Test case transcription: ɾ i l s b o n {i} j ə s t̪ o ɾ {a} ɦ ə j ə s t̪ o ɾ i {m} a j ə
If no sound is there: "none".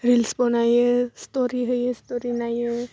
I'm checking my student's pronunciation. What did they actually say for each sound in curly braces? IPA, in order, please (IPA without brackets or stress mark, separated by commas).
a, i, n